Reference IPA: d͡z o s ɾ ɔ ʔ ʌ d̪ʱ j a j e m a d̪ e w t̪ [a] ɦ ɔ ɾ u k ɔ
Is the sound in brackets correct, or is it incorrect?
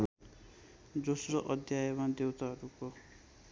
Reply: correct